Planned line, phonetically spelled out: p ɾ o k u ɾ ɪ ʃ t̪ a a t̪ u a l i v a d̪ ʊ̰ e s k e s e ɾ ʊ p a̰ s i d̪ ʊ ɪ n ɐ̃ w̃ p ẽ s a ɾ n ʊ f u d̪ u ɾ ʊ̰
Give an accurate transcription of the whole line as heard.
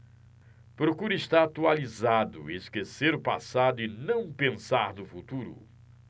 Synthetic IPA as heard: p ɾ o k u ɾ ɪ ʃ t̪ a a t̪ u a l i z a d̪ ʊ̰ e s k e s e ɾ ʊ p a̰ s a d̪ ʊ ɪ n ɐ̃ w̃ p ẽ s a ɾ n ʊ f u t̪ u ɾ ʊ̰